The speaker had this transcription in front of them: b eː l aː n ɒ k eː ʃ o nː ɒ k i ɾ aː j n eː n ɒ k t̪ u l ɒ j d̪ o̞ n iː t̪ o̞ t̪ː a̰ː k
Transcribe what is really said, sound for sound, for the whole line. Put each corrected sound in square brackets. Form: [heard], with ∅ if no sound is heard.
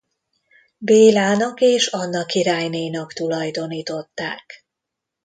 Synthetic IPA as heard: b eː l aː n ɒ k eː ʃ [ɒ] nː ɒ k i ɾ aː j n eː n ɒ k t̪ u l ɒ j d̪ o̞ n iː t̪ o̞ t̪ː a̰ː k